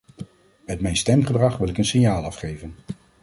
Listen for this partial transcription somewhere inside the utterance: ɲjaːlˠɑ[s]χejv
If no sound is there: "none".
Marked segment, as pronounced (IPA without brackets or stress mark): f